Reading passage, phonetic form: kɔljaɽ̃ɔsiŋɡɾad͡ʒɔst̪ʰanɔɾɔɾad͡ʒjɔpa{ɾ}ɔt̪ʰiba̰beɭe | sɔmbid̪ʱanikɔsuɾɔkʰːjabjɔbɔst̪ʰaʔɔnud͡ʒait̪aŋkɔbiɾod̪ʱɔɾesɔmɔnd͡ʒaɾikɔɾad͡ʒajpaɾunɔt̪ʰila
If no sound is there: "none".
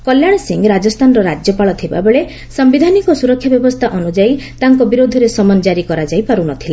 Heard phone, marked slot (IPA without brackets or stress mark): ɭ